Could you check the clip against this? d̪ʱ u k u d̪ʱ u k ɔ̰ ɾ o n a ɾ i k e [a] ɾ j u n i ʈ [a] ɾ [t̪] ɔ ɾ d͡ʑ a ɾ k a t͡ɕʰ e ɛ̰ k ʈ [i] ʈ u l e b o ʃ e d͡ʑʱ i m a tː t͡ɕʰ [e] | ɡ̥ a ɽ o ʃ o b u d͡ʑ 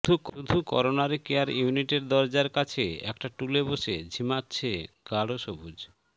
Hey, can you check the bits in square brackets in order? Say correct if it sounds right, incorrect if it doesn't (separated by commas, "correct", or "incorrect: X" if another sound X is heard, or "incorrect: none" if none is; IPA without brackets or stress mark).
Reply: correct, incorrect: e, incorrect: d̪, incorrect: a, correct